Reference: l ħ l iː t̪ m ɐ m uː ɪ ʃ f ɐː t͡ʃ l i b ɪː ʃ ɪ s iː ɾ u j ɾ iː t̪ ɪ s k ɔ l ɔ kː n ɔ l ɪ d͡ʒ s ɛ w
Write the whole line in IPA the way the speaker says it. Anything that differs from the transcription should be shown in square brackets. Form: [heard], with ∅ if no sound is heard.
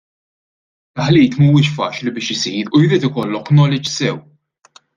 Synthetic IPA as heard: l ħ l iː t̪ m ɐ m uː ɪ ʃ f ɐː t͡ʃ l i b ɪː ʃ ɪ s iː ɾ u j ɾ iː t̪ ɪ [∅] k ɔ [lː] ɔ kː n ɔ l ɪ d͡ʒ s ɛ w

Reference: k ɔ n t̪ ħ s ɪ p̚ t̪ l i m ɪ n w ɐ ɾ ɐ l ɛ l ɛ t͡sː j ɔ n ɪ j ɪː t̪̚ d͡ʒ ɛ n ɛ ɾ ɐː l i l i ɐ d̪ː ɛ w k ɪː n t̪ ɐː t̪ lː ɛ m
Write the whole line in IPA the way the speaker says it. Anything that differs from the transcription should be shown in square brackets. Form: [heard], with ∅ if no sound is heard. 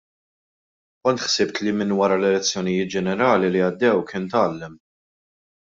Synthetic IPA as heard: k ɔ n t̪ ħ s ɪ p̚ t̪ l i m ɪ n w ɐ ɾ ɐ l ɛ l ɛ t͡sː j ɔ n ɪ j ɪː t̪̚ d͡ʒ ɛ n ɛ ɾ ɐː l i l i ɐ d̪ː ɛ w k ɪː n t̪ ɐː [∅] lː ɛ m

